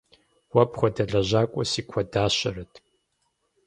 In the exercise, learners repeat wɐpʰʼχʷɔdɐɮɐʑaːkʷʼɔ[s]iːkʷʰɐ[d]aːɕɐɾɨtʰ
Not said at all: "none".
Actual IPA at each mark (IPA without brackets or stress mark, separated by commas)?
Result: s, d